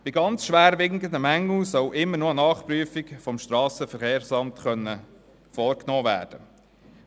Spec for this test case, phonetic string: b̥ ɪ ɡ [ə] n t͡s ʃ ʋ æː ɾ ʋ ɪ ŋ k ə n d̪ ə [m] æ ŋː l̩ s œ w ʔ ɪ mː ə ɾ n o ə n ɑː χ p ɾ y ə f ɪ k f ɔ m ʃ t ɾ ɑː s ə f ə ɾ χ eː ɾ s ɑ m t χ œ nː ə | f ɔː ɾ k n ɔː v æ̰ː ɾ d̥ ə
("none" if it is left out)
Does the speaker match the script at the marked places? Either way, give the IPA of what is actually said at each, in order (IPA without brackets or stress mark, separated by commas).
ɑ, m